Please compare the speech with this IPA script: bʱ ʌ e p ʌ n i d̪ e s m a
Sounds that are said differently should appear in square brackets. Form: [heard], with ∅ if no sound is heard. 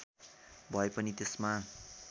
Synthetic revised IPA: bʱ ʌ e p ʌ n i [t̪] e s m a